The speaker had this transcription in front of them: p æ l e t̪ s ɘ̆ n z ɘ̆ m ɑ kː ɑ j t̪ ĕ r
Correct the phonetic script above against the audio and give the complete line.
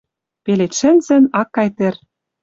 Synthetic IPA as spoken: p e l e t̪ ʃ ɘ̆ n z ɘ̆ n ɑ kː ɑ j t̪ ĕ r